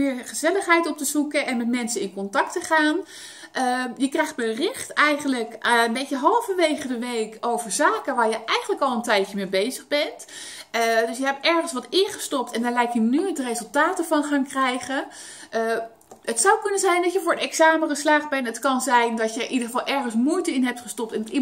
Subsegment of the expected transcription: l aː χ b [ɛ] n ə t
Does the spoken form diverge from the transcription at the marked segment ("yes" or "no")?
no